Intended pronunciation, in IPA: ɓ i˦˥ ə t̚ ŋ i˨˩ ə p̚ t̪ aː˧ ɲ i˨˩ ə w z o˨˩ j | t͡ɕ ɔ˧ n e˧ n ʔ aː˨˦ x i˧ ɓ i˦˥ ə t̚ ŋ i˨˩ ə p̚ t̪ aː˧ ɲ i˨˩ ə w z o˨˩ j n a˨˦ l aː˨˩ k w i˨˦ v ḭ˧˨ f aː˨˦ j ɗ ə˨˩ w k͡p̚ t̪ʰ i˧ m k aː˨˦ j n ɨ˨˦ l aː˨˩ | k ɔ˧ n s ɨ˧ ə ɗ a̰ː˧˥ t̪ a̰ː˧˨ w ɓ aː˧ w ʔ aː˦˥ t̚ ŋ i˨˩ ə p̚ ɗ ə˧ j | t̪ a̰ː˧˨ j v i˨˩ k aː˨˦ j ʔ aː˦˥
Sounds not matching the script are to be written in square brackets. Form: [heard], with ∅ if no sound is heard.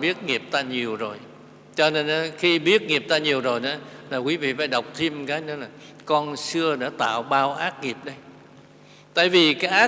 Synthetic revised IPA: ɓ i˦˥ ə t̚ ŋ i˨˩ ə p̚ t̪ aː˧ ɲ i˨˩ ə w z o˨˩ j | t͡ɕ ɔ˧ n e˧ n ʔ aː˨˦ x i˧ ɓ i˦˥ ə t̚ ŋ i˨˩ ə p̚ t̪ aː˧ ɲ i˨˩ ə w z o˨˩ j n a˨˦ l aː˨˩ k w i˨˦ v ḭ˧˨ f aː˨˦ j ɗ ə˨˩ w k͡p̚ t̪ʰ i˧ m k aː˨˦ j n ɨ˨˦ l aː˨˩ | k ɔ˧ n s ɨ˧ ə ɗ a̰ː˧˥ t̪ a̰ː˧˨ w ɓ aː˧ w ʔ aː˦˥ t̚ ŋ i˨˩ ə p̚ ɗ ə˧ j | t̪ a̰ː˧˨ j v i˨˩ k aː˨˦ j ʔ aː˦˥